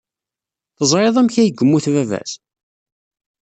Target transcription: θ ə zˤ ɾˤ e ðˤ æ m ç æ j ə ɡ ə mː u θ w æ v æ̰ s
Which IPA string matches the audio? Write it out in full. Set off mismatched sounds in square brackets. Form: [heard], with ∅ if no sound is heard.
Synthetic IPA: θ ə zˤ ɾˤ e ðˤ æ m ç æ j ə ɡ ə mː u θ [v] æ v æ̰ s